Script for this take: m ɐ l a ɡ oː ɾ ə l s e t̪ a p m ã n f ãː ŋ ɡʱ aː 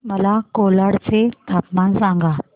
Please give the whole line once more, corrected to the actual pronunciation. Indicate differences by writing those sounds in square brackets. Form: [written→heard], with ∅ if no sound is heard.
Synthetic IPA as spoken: m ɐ l a [ɡ→k] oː [ɾ→l] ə [l→ɽ] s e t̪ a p m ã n [f→s] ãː ŋ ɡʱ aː